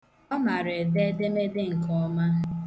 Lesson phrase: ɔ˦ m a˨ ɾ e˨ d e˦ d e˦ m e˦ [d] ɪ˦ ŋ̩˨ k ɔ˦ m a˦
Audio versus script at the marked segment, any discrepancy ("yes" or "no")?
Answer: no